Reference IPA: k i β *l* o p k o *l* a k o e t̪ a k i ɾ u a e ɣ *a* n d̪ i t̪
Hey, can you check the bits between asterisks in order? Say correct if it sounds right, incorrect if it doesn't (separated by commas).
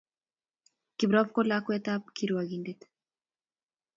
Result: incorrect, correct, incorrect